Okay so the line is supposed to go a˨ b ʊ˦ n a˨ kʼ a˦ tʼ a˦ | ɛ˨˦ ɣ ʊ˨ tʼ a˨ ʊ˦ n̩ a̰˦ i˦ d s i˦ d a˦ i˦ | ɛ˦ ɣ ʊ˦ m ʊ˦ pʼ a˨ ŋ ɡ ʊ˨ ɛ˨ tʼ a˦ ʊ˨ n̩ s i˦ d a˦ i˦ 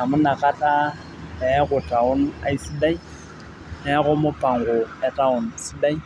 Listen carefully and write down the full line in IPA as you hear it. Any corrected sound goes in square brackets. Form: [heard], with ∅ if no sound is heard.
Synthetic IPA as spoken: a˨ [m] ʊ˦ n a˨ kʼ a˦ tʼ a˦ | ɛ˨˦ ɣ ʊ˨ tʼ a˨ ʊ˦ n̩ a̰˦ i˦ [∅] s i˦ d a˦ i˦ | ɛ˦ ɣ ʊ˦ m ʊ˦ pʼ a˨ ŋ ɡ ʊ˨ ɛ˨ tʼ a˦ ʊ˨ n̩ s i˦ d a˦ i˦